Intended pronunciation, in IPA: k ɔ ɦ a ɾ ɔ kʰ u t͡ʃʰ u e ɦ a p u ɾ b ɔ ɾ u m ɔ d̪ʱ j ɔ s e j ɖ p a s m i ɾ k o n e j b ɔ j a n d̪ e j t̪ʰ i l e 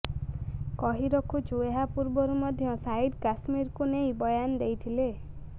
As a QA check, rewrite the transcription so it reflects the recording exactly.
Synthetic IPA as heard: k ɔ ɦ i ɾ ɔ kʰ u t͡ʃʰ u e ɦ a p u ɾ b ɔ ɾ u m ɔ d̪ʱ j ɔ s a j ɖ k a s m i ɾ k u n e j b ɔ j a n d̪ e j t̪ʰ i l e